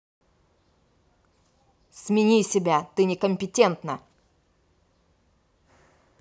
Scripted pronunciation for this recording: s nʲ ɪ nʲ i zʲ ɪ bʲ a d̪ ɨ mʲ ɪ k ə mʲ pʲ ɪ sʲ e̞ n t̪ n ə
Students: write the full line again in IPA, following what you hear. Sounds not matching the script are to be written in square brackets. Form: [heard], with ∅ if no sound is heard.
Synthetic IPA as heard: s [mʲ] ɪ nʲ i [sʲ] ɪ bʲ a [t̪] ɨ [nʲ] ɪ k ə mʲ pʲ ɪ [tʲ] e̞ n t̪ n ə